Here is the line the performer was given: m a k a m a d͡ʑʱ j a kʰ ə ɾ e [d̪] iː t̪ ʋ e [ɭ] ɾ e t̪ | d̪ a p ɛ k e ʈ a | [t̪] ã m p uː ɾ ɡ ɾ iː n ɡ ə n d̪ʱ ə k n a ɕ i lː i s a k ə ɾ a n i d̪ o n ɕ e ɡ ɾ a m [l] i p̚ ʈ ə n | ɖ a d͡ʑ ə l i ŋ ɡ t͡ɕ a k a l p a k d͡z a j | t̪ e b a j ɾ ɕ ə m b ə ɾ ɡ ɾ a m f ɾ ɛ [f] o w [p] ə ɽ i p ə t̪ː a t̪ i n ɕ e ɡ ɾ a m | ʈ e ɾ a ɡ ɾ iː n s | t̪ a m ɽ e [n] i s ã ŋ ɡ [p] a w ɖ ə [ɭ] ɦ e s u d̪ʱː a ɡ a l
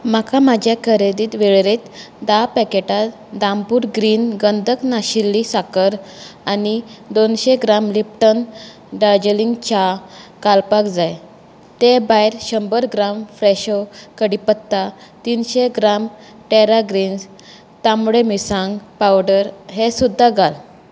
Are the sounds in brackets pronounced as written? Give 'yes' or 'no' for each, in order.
yes, yes, no, yes, no, no, no, yes, no

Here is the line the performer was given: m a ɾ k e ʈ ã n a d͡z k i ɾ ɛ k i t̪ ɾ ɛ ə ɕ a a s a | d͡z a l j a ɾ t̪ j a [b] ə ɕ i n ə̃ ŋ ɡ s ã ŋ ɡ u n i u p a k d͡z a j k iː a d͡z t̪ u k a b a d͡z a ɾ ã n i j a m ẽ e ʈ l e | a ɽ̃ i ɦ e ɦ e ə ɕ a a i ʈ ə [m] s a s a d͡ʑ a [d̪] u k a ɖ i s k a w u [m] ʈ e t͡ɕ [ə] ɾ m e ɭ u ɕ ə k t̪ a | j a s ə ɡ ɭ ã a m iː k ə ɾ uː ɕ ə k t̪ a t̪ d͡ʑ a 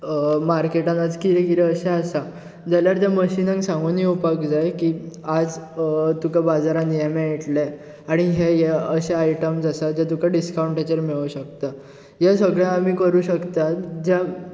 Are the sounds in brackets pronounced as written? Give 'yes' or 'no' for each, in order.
no, yes, no, no, yes

